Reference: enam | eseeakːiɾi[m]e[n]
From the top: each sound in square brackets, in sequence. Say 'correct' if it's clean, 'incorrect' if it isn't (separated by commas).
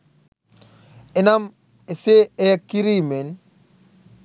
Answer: correct, correct